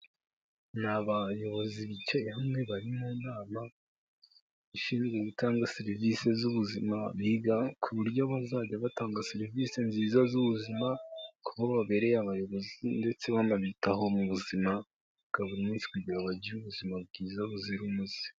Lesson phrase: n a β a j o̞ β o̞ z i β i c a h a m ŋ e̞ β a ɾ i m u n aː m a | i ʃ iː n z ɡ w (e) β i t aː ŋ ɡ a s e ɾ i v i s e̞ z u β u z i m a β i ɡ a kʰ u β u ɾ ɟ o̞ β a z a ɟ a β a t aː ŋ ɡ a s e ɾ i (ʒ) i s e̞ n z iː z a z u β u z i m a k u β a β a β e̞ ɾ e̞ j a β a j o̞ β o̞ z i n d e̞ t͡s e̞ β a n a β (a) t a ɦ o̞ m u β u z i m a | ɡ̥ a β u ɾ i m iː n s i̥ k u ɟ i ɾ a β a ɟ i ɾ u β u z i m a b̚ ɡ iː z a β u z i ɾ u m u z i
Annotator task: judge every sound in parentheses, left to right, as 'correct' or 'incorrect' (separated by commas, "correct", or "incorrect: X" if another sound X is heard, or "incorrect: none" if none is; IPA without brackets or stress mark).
correct, incorrect: v, incorrect: i